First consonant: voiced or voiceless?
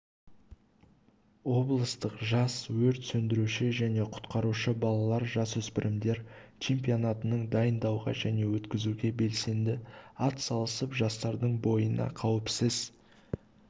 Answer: voiced